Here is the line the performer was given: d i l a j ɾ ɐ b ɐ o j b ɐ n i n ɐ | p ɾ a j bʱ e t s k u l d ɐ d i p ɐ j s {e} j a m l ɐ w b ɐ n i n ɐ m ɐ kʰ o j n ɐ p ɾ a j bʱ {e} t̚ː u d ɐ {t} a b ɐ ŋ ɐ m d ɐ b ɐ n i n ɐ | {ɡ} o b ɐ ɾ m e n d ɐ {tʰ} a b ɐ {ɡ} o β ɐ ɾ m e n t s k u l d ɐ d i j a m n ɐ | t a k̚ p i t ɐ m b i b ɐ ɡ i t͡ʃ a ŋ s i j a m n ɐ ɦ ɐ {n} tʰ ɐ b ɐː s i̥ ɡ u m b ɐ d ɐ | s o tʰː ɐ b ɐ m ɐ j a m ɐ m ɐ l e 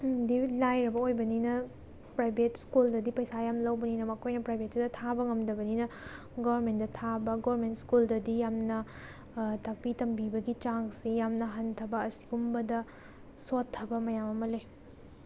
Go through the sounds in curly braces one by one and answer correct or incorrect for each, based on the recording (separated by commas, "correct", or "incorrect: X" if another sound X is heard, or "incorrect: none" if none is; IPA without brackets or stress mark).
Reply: incorrect: a, correct, incorrect: tʰ, correct, correct, correct, correct